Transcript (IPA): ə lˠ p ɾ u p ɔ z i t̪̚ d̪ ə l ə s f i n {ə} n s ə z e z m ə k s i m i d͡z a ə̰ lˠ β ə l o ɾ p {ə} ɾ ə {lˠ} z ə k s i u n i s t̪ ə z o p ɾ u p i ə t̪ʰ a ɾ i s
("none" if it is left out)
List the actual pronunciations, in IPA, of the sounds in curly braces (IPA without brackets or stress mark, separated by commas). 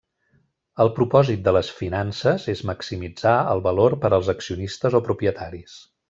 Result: a, ə, lˠ